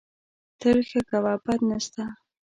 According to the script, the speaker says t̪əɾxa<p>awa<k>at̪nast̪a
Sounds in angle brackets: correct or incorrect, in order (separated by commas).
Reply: incorrect, incorrect